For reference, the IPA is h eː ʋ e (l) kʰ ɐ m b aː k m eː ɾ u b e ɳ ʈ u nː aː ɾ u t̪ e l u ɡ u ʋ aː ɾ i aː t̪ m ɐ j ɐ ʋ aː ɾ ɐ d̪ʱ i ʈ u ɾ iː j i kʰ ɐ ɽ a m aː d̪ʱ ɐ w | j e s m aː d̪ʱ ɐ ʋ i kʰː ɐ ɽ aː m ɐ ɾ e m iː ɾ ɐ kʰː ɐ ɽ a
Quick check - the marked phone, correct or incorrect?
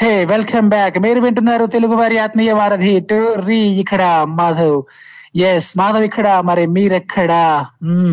correct